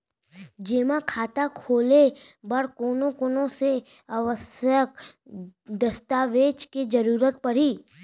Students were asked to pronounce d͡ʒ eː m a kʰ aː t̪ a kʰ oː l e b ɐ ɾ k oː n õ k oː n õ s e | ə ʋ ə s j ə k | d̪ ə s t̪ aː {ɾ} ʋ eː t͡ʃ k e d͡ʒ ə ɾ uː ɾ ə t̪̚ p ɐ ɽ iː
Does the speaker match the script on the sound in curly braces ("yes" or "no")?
no